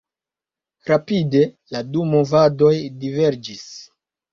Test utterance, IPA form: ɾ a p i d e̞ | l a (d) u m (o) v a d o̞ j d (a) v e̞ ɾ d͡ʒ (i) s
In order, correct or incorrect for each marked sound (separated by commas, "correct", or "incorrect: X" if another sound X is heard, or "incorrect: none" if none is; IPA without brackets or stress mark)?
correct, correct, incorrect: i, correct